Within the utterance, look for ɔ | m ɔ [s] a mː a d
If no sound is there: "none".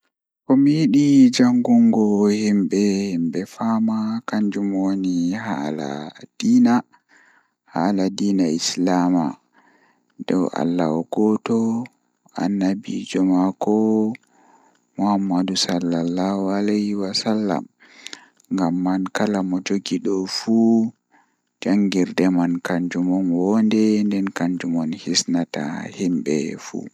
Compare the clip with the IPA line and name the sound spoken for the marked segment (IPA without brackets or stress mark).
h